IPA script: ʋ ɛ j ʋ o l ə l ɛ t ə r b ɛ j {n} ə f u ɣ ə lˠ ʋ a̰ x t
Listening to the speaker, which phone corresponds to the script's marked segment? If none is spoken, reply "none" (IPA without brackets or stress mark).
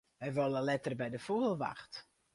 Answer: d